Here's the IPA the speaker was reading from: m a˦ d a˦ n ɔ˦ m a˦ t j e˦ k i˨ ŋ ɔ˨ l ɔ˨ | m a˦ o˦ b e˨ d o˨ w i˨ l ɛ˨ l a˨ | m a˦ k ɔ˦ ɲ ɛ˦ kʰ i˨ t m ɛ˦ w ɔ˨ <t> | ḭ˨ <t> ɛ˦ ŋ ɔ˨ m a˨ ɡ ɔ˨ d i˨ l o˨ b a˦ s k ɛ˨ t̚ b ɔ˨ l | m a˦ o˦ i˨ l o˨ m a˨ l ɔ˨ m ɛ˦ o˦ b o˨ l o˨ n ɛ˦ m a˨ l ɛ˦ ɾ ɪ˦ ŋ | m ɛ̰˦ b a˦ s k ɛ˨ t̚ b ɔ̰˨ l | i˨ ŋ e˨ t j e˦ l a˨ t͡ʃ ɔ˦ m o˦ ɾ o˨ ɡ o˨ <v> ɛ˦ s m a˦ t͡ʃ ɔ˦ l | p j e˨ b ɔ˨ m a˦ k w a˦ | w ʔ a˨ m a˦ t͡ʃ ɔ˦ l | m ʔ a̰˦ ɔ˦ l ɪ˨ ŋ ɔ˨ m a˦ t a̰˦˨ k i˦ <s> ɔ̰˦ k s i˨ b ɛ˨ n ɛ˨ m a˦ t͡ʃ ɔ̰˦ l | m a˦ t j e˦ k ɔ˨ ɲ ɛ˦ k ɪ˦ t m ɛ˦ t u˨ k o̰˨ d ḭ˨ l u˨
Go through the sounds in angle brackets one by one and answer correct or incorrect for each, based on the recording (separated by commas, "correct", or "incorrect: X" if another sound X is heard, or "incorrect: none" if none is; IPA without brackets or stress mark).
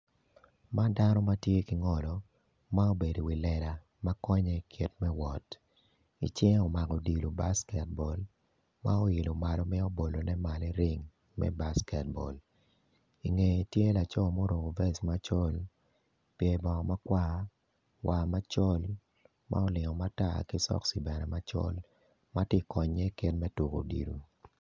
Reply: correct, incorrect: t͡ʃ, correct, correct